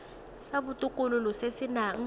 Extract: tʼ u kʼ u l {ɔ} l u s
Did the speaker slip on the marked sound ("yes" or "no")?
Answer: yes